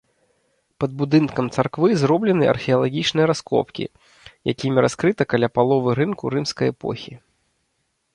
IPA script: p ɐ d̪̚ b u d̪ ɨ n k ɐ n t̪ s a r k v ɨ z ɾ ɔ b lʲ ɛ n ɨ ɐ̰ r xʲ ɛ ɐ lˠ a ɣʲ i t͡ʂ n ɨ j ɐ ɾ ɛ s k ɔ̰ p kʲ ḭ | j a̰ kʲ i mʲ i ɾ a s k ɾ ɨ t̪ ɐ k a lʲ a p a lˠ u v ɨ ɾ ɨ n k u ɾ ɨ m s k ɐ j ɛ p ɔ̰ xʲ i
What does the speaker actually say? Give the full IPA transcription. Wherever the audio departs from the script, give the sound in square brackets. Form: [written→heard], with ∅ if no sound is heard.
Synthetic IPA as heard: p ɐ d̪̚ b u d̪ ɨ n k ɐ [n→m] t̪ s a r k v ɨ z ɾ ɔ b lʲ ɛ n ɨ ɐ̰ r xʲ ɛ ɐ lˠ a ɣʲ i t͡ʂ n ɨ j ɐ ɾ [ɛ→a] s k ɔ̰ p kʲ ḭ | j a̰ kʲ i mʲ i ɾ a s k ɾ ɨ t̪ ɐ k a lʲ a p a lˠ [u→ɔ] v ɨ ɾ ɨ n k u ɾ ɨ m s k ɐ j ɛ p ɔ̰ xʲ i